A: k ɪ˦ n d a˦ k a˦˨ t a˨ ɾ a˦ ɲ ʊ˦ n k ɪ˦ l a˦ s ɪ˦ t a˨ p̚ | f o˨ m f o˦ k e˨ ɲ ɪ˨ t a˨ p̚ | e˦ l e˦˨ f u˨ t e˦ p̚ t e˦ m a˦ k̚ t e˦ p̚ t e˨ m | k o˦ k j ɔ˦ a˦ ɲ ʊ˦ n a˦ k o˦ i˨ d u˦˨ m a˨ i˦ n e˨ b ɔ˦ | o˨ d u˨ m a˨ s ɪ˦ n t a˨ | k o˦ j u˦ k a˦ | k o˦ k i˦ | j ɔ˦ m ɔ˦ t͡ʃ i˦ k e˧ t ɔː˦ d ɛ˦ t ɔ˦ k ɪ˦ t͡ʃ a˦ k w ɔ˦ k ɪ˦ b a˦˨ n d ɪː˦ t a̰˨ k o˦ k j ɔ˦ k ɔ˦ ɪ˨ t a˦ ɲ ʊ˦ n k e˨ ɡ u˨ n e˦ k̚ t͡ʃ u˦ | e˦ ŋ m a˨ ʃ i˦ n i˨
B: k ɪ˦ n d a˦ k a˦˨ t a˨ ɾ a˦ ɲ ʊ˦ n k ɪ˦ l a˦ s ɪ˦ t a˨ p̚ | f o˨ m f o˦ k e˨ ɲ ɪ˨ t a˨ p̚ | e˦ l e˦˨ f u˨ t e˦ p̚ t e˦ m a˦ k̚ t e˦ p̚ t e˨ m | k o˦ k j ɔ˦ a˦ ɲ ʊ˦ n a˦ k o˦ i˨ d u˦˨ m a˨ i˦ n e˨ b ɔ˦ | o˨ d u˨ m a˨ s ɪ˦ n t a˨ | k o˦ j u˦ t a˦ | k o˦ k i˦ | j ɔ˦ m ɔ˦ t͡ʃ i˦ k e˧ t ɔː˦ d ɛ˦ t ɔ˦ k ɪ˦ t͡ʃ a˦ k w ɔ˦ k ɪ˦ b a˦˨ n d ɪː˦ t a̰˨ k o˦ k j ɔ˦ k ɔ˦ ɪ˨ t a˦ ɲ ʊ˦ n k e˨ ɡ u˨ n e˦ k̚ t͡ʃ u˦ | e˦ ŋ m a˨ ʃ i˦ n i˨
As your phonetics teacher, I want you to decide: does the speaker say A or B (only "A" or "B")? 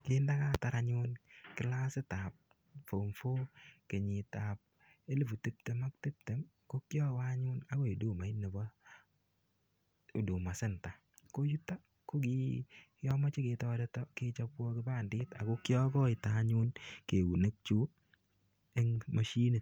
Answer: B